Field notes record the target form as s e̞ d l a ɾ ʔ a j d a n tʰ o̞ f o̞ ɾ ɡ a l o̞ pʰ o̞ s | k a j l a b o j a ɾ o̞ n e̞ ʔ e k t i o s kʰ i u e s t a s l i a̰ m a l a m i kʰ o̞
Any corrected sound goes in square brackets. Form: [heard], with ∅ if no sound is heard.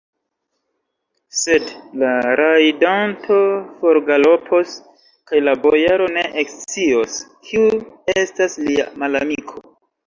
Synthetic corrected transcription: s e̞ d l a ɾ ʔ a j d a n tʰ o̞ f o̞ ɾ ɡ a l o̞ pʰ o̞ s | k a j l a b o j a ɾ o̞ n e̞ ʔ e k [t͡s] i o s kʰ i u e s t a s l i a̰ m a l a m i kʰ o̞